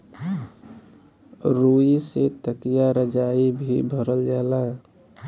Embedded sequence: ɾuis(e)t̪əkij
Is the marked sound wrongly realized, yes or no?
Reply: no